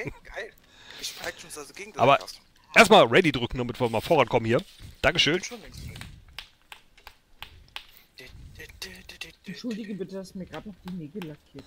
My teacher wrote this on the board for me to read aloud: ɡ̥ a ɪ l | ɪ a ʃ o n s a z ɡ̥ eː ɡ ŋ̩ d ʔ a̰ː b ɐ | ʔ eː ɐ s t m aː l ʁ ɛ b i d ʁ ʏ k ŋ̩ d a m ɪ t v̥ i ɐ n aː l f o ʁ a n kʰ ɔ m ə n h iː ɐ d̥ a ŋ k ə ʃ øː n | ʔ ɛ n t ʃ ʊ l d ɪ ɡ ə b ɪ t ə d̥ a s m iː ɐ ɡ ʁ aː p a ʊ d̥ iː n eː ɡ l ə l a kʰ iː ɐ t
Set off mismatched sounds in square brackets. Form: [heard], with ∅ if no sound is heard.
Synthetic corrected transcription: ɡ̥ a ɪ l | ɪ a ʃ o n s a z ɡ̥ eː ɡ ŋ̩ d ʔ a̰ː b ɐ | ʔ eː ɐ s t m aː l ʁ ɛ [d] i d ʁ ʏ k ŋ̩ d a m ɪ t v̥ i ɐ [m] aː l f o ʁ a n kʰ ɔ m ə n h iː ɐ d̥ a ŋ k ə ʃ øː n | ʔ ɛ n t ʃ ʊ l d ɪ ɡ ə b ɪ t ə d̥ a s m iː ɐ ɡ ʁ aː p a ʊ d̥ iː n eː ɡ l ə l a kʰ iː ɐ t

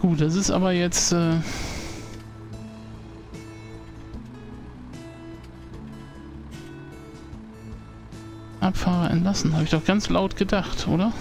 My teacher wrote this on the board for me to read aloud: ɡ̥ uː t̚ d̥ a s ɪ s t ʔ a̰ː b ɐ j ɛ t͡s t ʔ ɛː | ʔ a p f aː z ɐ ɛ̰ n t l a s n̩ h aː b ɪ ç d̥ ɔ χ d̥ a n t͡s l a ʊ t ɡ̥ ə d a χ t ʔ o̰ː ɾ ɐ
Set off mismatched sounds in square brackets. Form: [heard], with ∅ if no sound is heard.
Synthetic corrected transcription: ɡ̥ uː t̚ d̥ a s ɪ s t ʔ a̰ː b ɐ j ɛ t͡s t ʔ ɛː | ʔ a p f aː [ʁ] ɐ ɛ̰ n t l a s n̩ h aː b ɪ ç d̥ ɔ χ [ɡ̥] a n t͡s l a ʊ t ɡ̥ ə d a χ t ʔ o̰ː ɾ ɐ

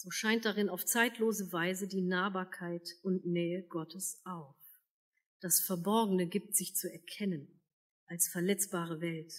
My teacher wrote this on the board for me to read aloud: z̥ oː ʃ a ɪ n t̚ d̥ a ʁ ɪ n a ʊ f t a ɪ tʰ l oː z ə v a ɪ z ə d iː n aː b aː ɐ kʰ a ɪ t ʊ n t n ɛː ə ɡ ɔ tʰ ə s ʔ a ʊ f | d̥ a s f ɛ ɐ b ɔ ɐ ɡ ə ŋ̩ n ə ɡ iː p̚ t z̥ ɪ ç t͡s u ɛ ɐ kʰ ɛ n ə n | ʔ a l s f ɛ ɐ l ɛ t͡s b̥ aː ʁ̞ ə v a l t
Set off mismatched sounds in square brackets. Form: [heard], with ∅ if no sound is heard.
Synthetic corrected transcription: z̥ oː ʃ a ɪ n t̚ d̥ a ʁ ɪ n a ʊ f [t͡s] a ɪ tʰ l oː z ə v a ɪ z ə d iː n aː b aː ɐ kʰ a ɪ t ʊ n t n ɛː ə ɡ ɔ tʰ ə s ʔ a ʊ f | d̥ a s f ɛ ɐ b ɔ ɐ ɡ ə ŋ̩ n ə ɡ iː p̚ t z̥ ɪ ç t͡s u ɛ ɐ kʰ ɛ n ə n | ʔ a l s f ɛ ɐ l ɛ t͡s b̥ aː ʁ̞ ə v [ɛ] l t

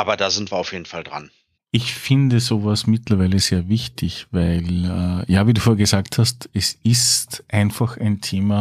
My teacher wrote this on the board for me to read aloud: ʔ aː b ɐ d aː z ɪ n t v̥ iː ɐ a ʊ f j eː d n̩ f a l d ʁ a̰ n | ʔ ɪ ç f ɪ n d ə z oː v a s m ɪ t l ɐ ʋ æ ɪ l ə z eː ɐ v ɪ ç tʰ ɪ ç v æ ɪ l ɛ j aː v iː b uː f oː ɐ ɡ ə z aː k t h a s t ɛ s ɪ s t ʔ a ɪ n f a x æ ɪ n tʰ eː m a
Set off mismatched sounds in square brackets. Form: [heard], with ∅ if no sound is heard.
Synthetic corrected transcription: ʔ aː b ɐ d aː z ɪ n t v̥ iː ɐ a ʊ f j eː d n̩ f a l d ʁ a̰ n | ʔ ɪ ç f ɪ n d ə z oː v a s m ɪ t l ɐ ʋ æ ɪ l ə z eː ɐ v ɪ ç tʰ ɪ ç v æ ɪ l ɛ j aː v iː [d] uː f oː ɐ ɡ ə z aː k t h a s t ɛ s ɪ s t ʔ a ɪ n f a x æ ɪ n tʰ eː m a

